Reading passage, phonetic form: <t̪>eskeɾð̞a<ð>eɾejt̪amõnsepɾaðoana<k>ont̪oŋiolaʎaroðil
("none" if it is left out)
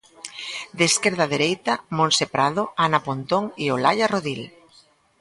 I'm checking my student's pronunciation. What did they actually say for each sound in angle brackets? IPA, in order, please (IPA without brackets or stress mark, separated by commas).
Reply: d̪, ð, p